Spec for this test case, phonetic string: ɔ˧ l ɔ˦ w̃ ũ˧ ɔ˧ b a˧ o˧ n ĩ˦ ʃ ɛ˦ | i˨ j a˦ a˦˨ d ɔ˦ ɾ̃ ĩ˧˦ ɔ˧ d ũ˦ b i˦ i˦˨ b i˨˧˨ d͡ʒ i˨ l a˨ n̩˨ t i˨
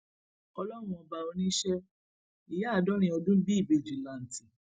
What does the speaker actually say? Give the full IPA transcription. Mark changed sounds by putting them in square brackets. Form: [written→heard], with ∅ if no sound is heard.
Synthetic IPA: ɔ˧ l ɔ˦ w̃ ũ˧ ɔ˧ b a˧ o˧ n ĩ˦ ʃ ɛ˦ | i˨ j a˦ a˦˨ d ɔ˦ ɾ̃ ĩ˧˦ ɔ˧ d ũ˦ b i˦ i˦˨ b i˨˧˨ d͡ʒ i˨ l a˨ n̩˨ t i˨